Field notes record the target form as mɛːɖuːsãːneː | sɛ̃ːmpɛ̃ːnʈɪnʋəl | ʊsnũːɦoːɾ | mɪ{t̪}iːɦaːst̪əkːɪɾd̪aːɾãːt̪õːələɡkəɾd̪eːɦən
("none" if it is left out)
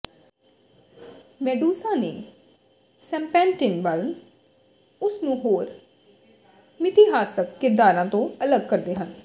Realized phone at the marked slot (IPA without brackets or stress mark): t̪